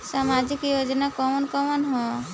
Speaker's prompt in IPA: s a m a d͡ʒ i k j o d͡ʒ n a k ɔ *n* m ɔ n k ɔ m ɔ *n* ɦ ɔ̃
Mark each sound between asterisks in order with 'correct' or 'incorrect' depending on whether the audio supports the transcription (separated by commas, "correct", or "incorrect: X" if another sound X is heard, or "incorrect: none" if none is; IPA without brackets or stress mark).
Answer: incorrect: none, correct